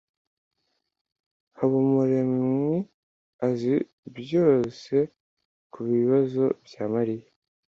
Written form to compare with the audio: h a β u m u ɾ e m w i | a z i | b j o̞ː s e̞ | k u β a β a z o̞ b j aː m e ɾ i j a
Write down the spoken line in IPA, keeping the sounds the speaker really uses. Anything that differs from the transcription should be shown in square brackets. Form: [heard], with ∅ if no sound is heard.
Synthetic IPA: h a β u m u ɾ e m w i | a z i | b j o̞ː s e̞ | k u β [i] β a z o̞ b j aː m [a] ɾ i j a